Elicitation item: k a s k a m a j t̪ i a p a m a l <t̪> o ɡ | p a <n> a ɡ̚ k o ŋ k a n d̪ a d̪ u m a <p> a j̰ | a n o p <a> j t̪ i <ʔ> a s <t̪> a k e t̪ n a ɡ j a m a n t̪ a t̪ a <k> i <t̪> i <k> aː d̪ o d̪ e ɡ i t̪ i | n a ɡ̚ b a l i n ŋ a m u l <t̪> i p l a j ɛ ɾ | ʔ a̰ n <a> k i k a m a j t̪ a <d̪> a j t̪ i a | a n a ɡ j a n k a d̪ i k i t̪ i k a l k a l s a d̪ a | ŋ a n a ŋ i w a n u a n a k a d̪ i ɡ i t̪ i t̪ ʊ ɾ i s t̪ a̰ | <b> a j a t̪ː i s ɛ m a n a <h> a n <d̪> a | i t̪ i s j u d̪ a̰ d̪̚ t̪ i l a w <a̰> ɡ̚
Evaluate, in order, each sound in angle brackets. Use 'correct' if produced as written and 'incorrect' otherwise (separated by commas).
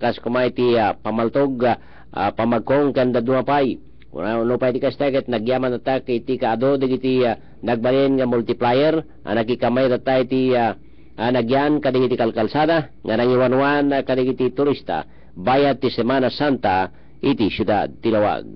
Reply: correct, incorrect, correct, correct, incorrect, correct, correct, correct, correct, correct, correct, incorrect, correct, incorrect, incorrect, correct